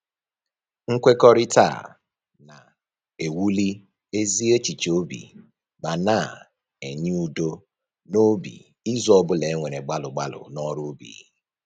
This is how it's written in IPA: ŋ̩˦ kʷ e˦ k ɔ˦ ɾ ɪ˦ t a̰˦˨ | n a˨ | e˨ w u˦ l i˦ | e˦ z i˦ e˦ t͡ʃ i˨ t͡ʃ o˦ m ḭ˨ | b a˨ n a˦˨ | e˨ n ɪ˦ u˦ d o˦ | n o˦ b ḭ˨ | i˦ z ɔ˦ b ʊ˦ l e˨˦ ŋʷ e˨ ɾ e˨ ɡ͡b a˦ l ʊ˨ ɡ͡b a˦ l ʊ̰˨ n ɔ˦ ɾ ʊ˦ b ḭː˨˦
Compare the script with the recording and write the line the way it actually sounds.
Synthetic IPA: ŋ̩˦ kʷ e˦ k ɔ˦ ɾ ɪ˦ t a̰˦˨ | n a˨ | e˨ w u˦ l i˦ | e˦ z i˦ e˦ t͡ʃ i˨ t͡ʃ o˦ b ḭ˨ | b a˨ n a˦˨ | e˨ ɲ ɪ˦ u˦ d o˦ | n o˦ b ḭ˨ | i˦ z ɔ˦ b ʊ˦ l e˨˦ ŋʷ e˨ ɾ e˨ ɡ͡b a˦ l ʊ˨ ɡ͡b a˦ l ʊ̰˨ n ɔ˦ ɾ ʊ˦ b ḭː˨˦